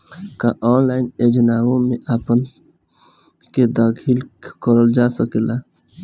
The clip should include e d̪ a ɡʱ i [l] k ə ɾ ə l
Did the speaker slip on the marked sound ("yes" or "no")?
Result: no